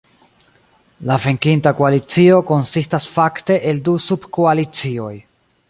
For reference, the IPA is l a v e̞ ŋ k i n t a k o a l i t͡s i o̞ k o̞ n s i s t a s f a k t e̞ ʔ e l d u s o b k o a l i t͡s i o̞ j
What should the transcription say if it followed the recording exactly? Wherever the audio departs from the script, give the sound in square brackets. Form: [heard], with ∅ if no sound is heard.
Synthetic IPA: l a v e̞ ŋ k i n t a k o a l i t͡s i o̞ k o̞ n s i s t a s f a k t e̞ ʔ e l d u s [u] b k o a l i t͡s i o̞ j